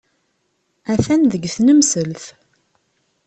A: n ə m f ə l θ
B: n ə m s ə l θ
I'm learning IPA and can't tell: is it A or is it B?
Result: B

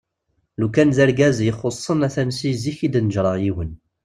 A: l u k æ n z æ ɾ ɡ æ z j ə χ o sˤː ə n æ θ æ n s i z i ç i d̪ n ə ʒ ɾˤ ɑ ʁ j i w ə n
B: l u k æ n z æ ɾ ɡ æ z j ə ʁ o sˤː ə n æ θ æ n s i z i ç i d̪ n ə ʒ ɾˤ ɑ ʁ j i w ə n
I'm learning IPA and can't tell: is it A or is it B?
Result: A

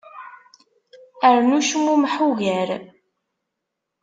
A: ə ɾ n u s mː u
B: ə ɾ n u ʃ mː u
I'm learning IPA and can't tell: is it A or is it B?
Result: B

